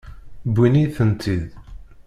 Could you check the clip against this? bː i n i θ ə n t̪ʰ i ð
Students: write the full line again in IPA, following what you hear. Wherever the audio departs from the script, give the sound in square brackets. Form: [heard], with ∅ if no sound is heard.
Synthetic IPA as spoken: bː i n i θ ə n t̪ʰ i ð